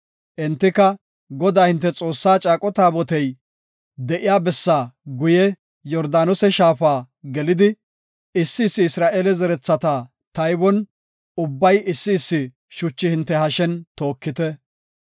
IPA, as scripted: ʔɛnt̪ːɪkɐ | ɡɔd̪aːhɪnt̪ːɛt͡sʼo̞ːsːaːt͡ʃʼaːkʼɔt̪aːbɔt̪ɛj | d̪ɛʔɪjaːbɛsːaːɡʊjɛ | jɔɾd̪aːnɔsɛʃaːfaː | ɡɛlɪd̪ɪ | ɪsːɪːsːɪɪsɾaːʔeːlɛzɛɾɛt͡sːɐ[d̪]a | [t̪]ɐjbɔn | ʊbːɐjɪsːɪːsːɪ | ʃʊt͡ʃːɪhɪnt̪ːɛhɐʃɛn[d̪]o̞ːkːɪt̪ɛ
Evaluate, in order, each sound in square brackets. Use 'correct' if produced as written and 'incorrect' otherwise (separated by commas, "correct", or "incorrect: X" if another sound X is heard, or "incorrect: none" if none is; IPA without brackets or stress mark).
incorrect: t̪, correct, incorrect: t̪